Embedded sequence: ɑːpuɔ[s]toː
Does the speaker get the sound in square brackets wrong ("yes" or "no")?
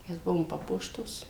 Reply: yes